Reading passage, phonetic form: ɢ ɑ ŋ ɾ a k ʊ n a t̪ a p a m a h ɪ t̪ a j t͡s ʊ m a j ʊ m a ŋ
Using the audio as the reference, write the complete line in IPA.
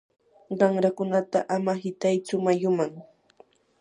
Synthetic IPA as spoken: ɢ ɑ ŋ ɾ a k ʊ n a t̪ a ʔ a m a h ɪ t̪ a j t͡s ʊ m a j ʊ m a ŋ